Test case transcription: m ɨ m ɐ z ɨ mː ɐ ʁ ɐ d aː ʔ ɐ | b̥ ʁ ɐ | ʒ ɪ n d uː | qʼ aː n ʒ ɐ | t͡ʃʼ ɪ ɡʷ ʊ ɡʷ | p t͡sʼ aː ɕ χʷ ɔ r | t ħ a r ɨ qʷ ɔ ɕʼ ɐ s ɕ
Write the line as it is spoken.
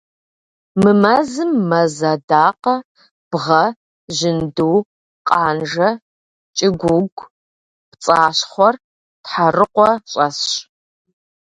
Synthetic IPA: m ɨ m ɐ z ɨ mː ɐ z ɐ d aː q ɐ | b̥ ʁ ɐ | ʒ ɪ n d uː | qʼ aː n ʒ ɐ | t͡ʃʼ ɪ ɡʷ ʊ ɡʷ | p t͡sʼ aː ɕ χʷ ɔ r | t ħ a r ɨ qʷ ɔ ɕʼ ɐ s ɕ